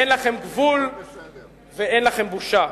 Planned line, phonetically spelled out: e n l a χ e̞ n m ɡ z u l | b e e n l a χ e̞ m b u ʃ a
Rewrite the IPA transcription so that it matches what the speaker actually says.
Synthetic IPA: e n l a χ e̞ m ɡ v u l | v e e n l a χ e̞ m b u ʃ a